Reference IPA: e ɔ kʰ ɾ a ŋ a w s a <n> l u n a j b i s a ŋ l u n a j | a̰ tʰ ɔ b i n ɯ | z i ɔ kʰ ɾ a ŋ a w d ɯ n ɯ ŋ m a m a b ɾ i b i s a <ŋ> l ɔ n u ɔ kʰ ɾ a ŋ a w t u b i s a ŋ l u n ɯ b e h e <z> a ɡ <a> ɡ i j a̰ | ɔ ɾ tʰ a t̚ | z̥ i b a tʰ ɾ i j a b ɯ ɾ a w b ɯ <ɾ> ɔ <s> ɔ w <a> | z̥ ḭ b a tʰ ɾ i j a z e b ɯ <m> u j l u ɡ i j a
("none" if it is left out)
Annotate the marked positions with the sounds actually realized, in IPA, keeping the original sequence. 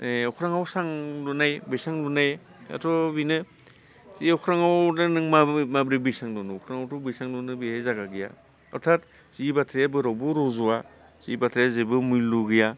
ŋ, ŋ, z, a, ɾ, z, a, m

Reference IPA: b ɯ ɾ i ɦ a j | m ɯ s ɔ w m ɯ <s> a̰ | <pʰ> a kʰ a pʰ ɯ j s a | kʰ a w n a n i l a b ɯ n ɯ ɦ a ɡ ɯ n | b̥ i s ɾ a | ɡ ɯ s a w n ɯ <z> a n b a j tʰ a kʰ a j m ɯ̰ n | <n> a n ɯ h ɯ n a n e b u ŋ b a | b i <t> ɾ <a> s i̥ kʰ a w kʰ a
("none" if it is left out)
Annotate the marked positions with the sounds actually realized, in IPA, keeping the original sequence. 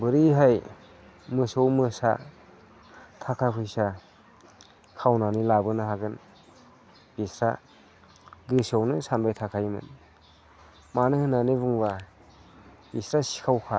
s, tʰ, s, m, s, a

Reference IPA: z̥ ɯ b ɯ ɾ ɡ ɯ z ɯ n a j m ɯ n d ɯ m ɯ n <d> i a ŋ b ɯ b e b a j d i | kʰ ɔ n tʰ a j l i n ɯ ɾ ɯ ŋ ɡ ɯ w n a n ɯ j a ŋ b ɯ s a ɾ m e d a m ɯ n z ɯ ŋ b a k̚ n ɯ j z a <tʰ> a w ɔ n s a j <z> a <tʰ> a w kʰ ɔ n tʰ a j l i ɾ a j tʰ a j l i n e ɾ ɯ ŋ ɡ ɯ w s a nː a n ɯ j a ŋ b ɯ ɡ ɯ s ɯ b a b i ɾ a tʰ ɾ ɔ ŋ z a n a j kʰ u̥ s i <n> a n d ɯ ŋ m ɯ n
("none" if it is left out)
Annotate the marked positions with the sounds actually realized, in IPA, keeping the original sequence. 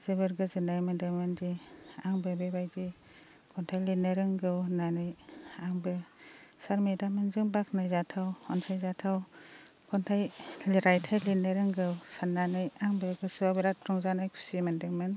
d, tʰ, z, tʰ, m

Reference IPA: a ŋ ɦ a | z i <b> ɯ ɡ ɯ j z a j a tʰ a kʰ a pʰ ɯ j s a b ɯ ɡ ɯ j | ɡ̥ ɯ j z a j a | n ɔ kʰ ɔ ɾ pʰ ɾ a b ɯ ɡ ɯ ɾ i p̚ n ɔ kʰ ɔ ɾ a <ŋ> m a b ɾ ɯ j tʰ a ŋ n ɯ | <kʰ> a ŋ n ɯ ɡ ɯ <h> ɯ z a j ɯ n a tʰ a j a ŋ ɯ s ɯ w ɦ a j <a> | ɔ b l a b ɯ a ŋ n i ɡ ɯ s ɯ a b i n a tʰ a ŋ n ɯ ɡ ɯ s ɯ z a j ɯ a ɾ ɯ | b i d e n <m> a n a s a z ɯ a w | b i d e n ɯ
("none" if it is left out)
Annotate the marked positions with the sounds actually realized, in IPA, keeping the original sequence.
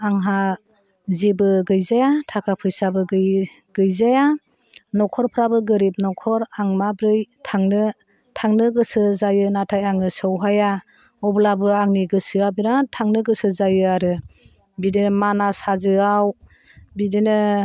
b, ŋ, tʰ, s, a, m

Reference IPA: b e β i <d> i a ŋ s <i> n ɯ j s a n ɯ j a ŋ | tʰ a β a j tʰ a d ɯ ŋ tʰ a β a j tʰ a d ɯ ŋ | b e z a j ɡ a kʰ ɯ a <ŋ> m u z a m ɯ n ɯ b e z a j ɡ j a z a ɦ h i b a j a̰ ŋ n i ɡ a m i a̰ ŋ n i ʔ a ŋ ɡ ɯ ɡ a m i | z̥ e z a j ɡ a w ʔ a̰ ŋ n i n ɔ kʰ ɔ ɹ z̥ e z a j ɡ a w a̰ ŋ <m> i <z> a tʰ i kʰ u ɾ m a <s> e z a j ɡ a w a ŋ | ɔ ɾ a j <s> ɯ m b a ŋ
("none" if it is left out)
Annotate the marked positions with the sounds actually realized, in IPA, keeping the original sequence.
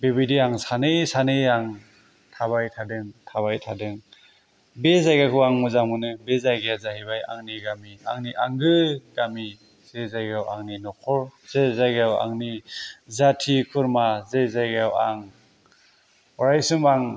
d, a, ŋ, n, z, z, s

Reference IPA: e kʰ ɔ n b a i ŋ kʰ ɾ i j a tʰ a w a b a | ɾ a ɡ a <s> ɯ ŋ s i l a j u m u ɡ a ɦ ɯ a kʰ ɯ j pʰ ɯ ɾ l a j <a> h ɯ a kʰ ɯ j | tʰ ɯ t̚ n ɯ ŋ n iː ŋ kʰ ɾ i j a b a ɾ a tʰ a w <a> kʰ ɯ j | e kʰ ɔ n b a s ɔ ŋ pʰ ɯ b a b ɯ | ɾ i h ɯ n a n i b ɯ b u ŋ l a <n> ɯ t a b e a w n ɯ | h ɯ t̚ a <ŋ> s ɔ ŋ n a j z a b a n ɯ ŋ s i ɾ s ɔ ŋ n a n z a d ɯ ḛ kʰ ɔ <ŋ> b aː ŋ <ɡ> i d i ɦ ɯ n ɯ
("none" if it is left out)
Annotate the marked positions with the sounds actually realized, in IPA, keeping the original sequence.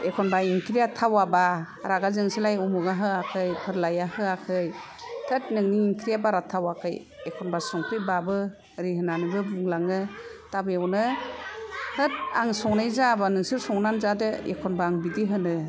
z, a, a, ŋ, ŋ, n, b

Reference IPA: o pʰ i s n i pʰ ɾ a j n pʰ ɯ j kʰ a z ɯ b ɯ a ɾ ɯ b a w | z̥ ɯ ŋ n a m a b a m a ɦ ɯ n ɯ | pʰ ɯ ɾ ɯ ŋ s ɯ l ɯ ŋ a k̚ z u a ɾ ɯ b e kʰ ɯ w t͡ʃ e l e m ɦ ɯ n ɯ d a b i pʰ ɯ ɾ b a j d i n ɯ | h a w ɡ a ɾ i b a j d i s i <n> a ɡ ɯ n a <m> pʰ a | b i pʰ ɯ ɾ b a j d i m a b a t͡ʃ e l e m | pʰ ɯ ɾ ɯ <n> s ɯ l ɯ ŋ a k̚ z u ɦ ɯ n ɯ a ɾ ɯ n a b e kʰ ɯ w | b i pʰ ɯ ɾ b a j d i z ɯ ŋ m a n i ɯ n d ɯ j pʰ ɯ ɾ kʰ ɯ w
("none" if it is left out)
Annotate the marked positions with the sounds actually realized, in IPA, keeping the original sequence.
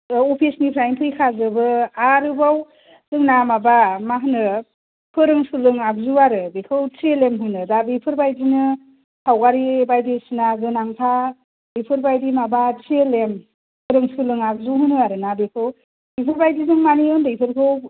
n, ŋ, ŋ

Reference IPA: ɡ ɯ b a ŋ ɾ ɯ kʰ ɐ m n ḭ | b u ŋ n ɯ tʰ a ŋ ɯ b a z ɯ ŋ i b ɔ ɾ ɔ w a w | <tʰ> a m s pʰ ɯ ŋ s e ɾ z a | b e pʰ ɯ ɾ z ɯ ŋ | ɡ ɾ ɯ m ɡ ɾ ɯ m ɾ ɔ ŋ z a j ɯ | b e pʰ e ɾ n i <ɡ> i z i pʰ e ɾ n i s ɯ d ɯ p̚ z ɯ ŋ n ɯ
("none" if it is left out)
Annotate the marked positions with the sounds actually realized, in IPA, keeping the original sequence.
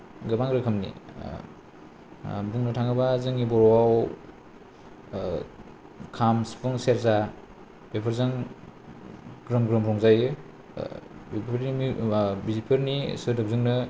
kʰ, b

